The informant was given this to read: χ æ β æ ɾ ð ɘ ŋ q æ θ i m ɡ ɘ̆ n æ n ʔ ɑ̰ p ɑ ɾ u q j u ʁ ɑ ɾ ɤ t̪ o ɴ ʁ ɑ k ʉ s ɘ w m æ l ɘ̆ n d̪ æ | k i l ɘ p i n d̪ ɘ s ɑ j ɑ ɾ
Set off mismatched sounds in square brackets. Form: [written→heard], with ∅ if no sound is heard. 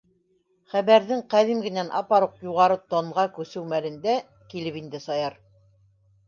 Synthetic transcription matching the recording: χ æ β æ ɾ ð ɘ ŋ q æ [θ→ð] i m ɡ ɘ̆ n æ n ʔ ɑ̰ p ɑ ɾ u q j u ʁ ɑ ɾ ɤ t̪ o ɴ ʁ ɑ k ʉ s ɘ w m æ l ɘ̆ n d̪ æ | k i l ɘ p i n d̪ ɘ s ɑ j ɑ ɾ